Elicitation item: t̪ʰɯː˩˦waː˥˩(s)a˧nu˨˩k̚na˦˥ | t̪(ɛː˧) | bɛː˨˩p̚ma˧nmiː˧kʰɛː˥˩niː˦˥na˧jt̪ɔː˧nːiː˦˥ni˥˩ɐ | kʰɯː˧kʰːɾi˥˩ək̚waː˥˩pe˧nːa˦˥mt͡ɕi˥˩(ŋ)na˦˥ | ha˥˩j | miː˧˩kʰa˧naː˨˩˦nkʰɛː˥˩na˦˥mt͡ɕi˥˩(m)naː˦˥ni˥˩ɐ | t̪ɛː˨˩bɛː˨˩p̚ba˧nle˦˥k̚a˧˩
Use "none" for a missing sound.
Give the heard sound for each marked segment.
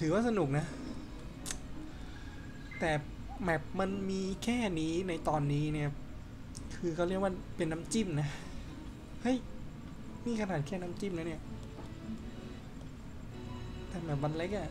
s, ɛː˨˩, m, m

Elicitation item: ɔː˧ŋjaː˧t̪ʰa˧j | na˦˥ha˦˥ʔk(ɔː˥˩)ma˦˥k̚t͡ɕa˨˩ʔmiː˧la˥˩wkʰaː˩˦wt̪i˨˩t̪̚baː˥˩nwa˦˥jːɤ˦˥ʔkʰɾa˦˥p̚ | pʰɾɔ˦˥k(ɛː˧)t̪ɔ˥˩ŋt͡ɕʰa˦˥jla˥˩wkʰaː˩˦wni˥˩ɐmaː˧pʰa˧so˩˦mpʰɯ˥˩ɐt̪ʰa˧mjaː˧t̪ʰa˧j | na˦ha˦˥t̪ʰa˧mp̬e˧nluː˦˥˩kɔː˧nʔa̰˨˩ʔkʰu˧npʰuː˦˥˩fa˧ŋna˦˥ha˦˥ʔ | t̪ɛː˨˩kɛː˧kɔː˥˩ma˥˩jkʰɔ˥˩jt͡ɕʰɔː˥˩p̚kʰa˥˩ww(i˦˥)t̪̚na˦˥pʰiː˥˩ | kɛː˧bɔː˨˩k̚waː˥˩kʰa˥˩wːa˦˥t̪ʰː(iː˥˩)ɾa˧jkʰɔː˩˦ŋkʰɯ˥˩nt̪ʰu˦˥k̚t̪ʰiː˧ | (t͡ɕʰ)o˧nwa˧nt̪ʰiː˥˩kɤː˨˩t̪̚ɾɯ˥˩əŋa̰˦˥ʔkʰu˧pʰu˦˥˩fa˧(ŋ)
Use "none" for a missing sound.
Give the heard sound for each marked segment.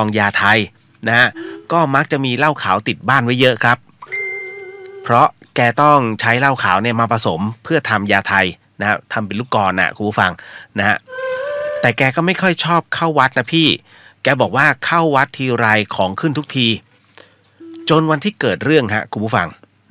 ɔː˥˩, ɛː˧, a˦˥, iː˧, t͡ɕ, ŋ

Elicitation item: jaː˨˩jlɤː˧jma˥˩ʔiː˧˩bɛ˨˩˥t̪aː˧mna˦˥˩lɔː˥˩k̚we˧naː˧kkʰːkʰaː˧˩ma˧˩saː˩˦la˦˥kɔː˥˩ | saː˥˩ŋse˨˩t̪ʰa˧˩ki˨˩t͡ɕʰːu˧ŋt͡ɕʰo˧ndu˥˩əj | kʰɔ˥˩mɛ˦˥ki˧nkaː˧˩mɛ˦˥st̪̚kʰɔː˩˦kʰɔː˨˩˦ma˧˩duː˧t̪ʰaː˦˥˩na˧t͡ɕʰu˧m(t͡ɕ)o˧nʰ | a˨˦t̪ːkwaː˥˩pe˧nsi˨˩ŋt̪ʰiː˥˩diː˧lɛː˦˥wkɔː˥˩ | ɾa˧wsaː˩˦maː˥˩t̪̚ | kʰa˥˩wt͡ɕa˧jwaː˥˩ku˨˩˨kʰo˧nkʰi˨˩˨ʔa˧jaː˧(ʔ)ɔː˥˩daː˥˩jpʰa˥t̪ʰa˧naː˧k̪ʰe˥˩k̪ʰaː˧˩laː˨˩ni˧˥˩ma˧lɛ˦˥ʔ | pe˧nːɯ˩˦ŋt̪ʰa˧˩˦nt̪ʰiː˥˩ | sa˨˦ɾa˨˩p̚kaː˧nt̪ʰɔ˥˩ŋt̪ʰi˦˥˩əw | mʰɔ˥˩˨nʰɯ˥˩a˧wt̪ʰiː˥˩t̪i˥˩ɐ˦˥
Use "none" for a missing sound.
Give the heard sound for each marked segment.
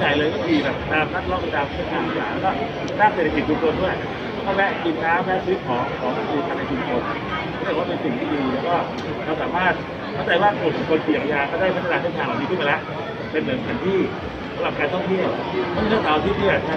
t͡ɕʰ, k

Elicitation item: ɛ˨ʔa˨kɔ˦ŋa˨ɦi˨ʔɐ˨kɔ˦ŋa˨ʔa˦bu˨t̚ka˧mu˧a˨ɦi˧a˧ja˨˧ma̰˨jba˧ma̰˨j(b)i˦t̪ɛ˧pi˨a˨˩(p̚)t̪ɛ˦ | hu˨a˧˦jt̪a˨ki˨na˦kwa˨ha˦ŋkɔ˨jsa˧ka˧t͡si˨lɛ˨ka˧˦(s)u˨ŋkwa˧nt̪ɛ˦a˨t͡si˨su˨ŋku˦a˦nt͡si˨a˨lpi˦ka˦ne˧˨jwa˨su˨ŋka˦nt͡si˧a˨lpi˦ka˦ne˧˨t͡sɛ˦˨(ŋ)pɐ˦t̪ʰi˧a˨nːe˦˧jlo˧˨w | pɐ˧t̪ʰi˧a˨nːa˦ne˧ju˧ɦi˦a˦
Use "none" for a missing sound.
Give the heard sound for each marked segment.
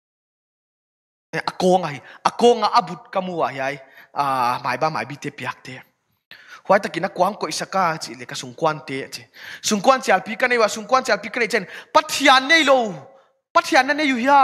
b, k̚, s, n

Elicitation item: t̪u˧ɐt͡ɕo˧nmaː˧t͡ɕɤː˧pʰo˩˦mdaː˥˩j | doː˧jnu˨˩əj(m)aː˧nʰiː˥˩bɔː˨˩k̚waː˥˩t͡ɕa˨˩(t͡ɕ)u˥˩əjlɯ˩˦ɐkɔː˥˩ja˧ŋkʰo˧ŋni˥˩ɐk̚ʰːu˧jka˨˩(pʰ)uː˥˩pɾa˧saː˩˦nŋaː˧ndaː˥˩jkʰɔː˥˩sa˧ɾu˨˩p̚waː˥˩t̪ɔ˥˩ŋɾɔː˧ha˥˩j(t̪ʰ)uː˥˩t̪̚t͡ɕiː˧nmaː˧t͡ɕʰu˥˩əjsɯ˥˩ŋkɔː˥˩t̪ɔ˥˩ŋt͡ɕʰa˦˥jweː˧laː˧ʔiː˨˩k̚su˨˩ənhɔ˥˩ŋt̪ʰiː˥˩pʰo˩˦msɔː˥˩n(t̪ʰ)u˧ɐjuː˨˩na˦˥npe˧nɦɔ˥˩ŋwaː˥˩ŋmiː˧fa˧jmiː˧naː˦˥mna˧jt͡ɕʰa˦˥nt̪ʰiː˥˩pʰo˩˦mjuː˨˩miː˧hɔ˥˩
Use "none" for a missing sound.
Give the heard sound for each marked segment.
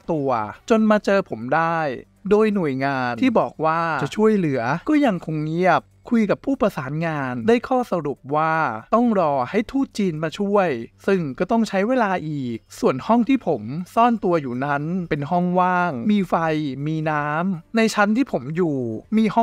ŋ, t͡ɕʰ, pʰ, t̪ʰ, t̪

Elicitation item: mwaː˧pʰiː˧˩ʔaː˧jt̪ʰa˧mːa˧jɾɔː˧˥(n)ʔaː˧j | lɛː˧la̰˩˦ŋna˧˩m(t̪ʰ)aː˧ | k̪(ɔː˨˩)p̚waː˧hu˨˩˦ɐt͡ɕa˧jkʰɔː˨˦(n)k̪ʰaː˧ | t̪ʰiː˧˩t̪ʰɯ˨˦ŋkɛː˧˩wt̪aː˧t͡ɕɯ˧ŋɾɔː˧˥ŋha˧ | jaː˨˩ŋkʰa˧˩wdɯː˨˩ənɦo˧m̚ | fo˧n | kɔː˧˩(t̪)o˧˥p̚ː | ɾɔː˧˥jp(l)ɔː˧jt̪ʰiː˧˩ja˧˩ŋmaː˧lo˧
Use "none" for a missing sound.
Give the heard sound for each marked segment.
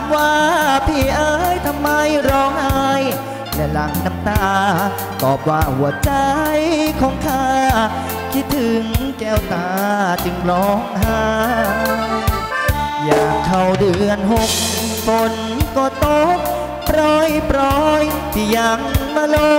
ŋ, t̪, ɔː˨˩, ŋ, t̪, ɾ

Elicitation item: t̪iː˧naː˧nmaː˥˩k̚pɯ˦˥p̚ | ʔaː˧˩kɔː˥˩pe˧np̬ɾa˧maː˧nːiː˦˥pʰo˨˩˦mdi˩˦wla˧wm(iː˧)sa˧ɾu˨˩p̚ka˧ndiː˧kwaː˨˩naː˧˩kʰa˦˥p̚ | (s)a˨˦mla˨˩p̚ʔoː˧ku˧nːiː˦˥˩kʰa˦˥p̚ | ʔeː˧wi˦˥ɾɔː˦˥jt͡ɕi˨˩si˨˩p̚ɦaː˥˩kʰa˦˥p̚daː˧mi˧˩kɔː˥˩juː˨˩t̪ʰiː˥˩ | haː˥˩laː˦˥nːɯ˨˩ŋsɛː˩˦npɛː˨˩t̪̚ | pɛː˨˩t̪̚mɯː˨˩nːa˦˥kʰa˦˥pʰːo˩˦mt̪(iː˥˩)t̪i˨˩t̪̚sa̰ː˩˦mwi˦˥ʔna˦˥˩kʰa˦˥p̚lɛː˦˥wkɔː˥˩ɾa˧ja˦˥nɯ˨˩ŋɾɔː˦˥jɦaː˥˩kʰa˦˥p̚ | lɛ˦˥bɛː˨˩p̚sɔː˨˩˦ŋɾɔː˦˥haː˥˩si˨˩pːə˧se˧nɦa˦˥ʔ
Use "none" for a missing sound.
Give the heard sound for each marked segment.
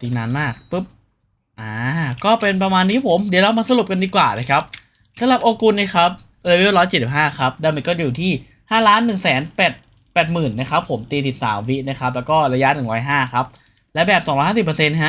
aː˧, s, iː˧

